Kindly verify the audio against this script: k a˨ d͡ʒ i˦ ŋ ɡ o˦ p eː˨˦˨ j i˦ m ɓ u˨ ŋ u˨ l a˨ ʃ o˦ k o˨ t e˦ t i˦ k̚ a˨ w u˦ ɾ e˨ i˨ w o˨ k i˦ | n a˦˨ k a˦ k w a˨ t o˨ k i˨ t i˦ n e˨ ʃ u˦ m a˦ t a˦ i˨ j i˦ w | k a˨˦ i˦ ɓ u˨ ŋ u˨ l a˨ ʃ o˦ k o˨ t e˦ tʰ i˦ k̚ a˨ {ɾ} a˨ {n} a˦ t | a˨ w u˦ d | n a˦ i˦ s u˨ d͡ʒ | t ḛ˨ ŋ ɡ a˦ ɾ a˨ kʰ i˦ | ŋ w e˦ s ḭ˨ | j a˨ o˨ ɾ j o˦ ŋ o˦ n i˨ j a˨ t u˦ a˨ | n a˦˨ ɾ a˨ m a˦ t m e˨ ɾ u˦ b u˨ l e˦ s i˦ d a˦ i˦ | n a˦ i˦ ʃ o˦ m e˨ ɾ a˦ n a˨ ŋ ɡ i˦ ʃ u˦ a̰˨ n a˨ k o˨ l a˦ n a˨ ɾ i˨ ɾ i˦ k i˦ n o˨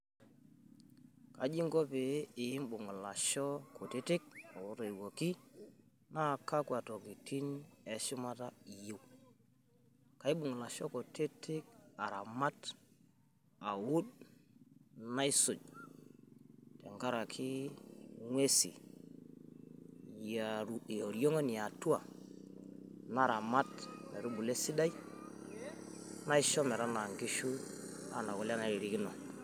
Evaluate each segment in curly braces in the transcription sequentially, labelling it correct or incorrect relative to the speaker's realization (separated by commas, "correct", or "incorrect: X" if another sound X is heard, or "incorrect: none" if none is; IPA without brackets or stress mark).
correct, incorrect: m